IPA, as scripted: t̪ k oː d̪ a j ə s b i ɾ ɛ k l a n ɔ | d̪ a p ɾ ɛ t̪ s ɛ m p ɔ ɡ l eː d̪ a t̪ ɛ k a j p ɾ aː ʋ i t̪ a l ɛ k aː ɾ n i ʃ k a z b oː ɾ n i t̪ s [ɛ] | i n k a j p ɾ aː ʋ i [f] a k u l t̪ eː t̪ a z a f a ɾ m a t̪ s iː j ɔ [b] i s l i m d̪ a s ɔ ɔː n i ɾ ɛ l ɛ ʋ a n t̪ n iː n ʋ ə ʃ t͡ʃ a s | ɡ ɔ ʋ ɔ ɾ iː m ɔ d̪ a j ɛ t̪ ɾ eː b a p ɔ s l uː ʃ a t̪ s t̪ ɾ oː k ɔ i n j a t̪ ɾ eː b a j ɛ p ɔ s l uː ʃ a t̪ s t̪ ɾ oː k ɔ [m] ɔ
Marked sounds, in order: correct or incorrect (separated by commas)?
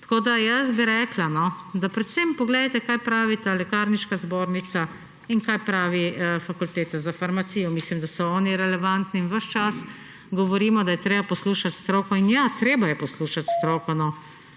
incorrect, correct, incorrect, incorrect